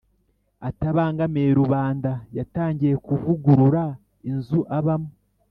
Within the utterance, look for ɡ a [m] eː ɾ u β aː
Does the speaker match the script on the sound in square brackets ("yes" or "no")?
yes